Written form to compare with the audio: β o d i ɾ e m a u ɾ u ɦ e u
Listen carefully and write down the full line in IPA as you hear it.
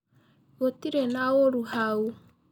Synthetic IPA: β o t i ɾ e n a o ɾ u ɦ a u